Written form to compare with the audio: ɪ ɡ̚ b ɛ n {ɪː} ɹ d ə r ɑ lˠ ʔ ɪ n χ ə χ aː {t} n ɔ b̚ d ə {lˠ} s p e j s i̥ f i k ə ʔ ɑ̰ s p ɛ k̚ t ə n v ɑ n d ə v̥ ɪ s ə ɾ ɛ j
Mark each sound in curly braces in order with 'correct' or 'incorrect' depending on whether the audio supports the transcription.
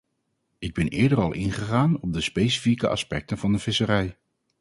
correct, incorrect: none, incorrect: none

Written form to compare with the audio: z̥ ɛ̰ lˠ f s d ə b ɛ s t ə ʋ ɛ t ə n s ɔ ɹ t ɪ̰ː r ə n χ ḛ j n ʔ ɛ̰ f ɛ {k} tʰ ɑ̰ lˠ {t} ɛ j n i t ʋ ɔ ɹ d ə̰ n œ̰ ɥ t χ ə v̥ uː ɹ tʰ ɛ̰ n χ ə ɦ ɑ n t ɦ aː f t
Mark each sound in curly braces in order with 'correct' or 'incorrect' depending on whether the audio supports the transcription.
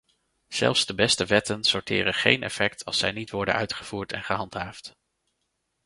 correct, incorrect: s

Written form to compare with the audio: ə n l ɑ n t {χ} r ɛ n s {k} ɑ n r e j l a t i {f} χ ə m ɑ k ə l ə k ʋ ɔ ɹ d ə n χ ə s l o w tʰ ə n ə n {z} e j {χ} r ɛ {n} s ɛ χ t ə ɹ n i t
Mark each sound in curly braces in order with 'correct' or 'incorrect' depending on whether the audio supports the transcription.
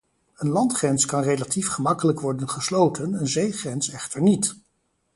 correct, correct, correct, correct, correct, correct

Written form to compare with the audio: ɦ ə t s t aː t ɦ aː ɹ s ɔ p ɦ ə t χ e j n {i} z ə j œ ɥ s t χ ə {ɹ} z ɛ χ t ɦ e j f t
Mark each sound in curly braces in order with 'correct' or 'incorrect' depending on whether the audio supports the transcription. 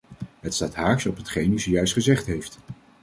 incorrect: y, incorrect: none

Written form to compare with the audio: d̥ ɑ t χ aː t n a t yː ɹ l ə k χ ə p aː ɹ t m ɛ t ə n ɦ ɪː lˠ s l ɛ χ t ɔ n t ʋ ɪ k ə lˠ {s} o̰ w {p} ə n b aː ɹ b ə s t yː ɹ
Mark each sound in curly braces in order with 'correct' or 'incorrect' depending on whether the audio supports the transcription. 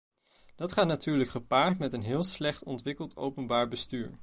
incorrect: t, correct

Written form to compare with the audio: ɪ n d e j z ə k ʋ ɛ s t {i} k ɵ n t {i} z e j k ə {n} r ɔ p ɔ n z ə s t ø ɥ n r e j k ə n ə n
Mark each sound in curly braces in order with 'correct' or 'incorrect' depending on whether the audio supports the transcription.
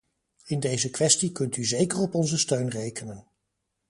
correct, incorrect: y, incorrect: none

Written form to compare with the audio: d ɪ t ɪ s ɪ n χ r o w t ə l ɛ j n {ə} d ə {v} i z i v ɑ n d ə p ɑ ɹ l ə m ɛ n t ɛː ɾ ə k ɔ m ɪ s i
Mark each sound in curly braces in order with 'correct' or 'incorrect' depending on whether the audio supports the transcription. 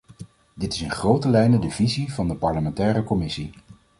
correct, correct

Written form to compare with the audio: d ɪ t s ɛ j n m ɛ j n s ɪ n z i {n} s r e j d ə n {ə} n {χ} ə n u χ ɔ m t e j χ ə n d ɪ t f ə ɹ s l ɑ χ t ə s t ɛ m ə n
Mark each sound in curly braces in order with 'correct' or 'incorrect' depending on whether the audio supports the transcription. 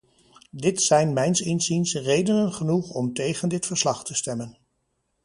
correct, correct, correct

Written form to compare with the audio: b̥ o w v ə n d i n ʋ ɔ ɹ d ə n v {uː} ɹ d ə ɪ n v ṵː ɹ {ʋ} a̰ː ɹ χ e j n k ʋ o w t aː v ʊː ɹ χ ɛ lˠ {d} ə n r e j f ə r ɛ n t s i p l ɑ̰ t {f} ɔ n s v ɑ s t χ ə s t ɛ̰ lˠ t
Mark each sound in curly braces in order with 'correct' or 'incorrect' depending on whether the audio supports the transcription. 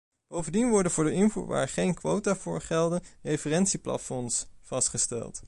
incorrect: ʊː, correct, correct, correct

